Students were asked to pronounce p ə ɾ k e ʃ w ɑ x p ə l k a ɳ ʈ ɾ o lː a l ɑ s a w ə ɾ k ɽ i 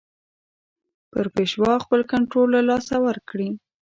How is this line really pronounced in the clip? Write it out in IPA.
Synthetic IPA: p ə ɾ p e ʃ w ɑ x p ə l k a ɳ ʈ ɾ o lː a l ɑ s a w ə ɾ k ɽ i